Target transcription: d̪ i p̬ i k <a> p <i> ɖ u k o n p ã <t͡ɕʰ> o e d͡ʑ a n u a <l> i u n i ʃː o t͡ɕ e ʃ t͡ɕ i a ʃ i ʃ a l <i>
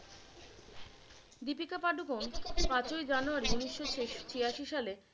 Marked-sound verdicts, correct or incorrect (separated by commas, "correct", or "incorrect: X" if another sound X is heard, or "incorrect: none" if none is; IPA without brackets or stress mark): correct, incorrect: a, incorrect: t͡ɕ, incorrect: ɾ, incorrect: e